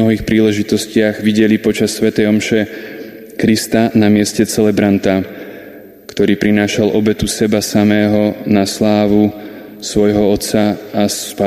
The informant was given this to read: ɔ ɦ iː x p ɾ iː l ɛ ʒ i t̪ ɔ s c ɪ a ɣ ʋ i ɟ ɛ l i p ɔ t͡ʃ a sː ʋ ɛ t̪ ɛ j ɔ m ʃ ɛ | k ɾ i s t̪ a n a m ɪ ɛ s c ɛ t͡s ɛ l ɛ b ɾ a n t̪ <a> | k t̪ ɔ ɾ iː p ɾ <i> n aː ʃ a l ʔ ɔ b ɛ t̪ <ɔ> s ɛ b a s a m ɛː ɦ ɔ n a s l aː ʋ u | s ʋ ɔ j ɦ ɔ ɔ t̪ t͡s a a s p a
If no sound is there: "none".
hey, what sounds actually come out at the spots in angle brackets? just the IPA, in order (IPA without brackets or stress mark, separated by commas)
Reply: a, i, u